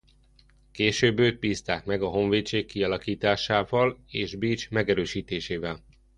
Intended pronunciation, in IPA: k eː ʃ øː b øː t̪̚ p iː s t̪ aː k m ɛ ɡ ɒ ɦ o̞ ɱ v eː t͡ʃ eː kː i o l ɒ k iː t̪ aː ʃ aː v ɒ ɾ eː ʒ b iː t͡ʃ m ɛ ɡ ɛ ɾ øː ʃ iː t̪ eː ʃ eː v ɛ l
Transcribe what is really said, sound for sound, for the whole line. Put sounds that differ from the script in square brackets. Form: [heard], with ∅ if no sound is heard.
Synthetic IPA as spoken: k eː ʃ øː b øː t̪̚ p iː s t̪ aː k m ɛ ɡ ɒ ɦ o̞ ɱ v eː t͡ʃ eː kː i [ɒ] l ɒ k iː t̪ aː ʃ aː v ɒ [l] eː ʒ b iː t͡ʃ m ɛ ɡ ɛ ɾ øː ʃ iː t̪ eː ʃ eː v ɛ l

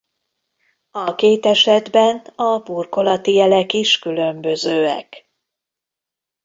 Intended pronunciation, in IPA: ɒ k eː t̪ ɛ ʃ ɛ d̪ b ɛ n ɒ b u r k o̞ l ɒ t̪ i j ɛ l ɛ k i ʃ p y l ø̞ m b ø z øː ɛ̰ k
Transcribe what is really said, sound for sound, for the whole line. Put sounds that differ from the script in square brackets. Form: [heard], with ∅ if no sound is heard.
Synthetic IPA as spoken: ɒ k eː t̪ ɛ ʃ ɛ d̪ b ɛ n ɒ b u r k o̞ l ɒ t̪ i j ɛ l ɛ k i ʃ [k] y l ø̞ m b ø z øː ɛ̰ k

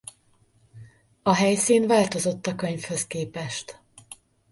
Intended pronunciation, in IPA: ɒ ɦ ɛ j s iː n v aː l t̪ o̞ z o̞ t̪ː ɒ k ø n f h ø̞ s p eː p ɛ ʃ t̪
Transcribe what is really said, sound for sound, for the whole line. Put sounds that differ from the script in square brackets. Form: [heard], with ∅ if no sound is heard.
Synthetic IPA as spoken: ɒ ɦ ɛ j s iː n v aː l t̪ o̞ z o̞ t̪ː ɒ k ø [ɲ] f h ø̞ s [k] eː p ɛ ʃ t̪

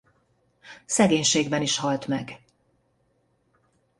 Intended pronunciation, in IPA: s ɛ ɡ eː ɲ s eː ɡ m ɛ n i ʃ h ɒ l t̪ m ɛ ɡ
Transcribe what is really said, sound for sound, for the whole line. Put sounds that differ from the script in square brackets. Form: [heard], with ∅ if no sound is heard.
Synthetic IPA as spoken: s ɛ ɡ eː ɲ [ʃ] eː ɡ [b] ɛ n i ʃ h ɒ l t̪ m ɛ ɡ

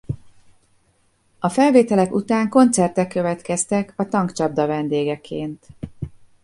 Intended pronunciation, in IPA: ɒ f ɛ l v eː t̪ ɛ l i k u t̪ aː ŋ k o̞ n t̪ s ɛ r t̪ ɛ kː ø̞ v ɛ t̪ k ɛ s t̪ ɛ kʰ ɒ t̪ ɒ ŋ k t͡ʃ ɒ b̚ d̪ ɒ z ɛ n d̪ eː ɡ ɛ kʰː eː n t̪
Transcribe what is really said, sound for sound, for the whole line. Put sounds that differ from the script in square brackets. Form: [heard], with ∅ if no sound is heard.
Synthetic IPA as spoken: ɒ f ɛ l v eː t̪ ɛ l [ɛ] k u t̪ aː ŋ k o̞ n t̪ s ɛ r t̪ ɛ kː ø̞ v ɛ t̪ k ɛ s t̪ ɛ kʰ ɒ t̪ ɒ ŋ k t͡ʃ ɒ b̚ d̪ ɒ [v] ɛ n d̪ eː ɡ ɛ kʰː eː n t̪

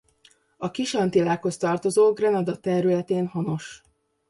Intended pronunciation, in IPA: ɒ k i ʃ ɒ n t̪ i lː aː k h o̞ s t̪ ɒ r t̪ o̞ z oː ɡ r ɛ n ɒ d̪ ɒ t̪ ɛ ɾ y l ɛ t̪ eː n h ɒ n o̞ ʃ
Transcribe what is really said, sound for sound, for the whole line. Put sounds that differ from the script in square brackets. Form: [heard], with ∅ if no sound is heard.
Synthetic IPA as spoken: ɒ k i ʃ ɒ n t̪ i [l] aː k h o̞ s t̪ ɒ r t̪ o̞ z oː ɡ r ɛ n ɒ d̪ ɒ t̪ ɛ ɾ y l ɛ t̪ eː n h ɒ n o̞ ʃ

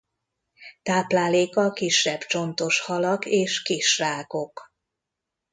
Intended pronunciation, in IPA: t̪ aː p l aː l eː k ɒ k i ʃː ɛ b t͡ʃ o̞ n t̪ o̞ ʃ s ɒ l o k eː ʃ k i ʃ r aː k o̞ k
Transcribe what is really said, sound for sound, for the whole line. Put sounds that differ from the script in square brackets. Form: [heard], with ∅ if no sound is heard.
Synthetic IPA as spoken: t̪ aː p l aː l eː k ɒ k i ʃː ɛ b t͡ʃ o̞ n t̪ o̞ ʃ [h] ɒ l [ɒ] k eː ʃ k i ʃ r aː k o̞ k

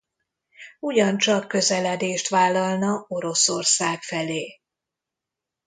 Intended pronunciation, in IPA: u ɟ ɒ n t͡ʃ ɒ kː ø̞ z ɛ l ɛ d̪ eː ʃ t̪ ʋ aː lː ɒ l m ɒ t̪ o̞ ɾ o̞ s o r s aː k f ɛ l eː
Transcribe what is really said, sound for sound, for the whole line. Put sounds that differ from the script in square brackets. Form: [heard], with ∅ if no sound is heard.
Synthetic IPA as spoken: u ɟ ɒ n t͡ʃ ɒ kː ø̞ z ɛ l ɛ d̪ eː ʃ t̪ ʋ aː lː ɒ l [n] ɒ [∅] o̞ ɾ o̞ s o r s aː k f ɛ l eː

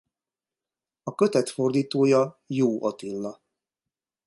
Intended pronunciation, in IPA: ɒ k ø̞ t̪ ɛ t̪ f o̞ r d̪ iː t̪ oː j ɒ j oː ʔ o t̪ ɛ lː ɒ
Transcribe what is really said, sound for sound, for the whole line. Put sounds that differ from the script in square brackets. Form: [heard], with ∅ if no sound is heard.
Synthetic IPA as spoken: ɒ k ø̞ t̪ ɛ t̪ f o̞ r d̪ iː t̪ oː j ɒ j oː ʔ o t̪ [i] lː ɒ

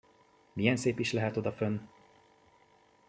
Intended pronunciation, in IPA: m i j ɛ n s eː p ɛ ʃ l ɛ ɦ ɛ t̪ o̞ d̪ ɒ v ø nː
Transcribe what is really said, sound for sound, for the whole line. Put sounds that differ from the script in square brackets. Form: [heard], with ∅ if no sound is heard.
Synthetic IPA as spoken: m i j ɛ n s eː p [i] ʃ l ɛ ɦ ɛ t̪ o̞ d̪ ɒ [f] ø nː

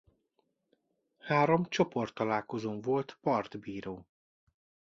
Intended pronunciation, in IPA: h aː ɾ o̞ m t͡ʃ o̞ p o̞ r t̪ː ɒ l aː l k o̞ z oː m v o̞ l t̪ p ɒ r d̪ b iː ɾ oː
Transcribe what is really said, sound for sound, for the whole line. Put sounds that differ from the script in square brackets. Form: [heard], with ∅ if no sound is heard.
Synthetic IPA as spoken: h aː ɾ o̞ m t͡ʃ o̞ p o̞ r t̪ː ɒ l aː l k o̞ z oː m v o̞ l t̪ p ɒ r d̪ b iː ɾ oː

